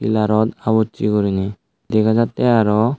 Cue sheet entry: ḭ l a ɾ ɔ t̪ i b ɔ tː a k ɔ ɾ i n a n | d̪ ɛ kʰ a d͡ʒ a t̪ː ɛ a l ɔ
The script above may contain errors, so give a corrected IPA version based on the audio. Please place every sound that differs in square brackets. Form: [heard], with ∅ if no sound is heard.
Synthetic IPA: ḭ l a ɾ ɔ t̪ [a] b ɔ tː [i] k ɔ ɾ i n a [∅] | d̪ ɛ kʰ a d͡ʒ a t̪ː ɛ a [ɾ] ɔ